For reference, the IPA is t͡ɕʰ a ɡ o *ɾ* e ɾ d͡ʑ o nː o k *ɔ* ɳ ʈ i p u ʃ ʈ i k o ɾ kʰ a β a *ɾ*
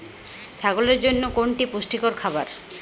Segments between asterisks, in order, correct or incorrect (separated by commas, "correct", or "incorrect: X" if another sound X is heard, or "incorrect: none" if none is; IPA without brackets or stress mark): incorrect: l, incorrect: o, correct